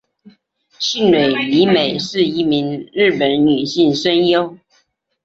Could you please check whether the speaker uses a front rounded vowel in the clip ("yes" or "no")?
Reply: yes